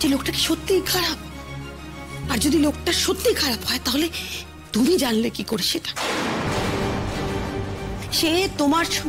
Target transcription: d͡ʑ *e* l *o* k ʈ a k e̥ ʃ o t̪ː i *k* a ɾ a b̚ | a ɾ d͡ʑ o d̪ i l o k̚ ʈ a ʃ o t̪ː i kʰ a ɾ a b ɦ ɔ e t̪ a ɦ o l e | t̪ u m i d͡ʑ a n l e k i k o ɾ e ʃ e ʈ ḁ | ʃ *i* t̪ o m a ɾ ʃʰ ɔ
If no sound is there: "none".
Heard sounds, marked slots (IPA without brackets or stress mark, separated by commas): e, o, kʰ, e